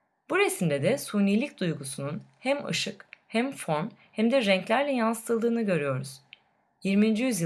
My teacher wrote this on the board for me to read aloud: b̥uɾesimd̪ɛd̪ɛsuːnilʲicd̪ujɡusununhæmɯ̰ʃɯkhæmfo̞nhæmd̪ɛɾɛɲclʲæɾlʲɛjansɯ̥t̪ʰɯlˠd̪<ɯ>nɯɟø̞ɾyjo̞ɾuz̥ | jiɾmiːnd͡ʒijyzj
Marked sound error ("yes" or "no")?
yes